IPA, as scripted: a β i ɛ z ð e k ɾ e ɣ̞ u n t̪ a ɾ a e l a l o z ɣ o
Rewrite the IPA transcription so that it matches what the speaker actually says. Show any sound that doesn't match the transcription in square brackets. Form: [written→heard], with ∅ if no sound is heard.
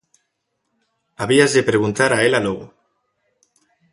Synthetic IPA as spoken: a β i [ɛ→a] z ð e [k→p] ɾ e ɣ̞ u n t̪ a ɾ a e l a l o [z→∅] ɣ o